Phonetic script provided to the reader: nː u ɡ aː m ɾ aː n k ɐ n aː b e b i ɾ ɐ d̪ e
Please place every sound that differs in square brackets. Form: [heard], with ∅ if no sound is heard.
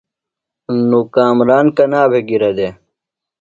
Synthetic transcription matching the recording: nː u [k] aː m ɾ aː n k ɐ n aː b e [ɡ] i ɾ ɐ d̪ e